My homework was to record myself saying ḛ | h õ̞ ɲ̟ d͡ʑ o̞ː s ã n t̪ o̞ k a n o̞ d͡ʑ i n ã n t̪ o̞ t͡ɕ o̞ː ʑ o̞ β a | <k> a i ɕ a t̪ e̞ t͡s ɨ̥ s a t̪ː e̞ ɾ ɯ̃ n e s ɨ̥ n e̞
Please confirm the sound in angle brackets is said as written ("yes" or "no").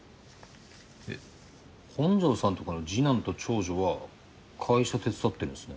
no